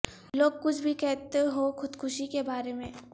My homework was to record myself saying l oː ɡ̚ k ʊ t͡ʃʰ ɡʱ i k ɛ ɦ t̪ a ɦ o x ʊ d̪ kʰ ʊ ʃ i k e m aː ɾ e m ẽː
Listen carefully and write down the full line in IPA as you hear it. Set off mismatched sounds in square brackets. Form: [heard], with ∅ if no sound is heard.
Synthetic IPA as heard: l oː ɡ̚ k ʊ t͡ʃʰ [bʱ] i k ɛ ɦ t̪ [e] ɦ o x ʊ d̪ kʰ ʊ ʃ i k e [b] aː ɾ e m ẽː